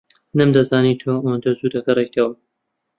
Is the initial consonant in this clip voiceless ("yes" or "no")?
no